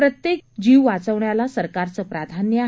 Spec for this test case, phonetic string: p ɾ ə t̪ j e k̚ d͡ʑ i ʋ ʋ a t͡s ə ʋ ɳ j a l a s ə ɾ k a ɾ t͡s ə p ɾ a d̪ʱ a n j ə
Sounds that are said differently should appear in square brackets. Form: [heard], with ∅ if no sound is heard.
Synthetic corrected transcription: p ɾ ə t̪ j e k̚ d͡ʑ i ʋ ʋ a t͡s ə ʋ ɳ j a l a s ə ɾ k a ɾ t͡s ə p ɾ a d̪ʱ a n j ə